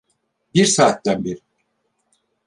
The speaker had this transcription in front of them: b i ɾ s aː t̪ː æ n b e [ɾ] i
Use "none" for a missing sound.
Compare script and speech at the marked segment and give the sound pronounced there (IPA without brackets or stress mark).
ɾ